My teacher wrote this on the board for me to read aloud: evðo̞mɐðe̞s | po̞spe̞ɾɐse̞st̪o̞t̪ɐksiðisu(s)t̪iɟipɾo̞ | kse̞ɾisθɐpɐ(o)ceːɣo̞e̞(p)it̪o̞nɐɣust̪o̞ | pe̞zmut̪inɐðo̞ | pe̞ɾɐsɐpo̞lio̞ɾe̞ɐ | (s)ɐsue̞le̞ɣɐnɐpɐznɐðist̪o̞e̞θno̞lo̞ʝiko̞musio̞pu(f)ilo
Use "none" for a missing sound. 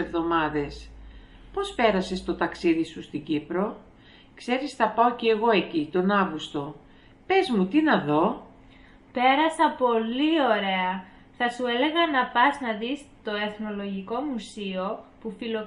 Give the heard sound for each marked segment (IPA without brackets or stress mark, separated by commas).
s, o, c, θ, f